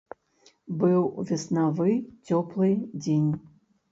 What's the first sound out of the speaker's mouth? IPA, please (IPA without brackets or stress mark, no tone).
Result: b